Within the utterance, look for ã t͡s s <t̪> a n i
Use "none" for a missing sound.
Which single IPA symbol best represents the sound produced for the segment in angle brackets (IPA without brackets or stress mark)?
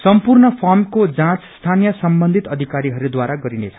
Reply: t̪ʰ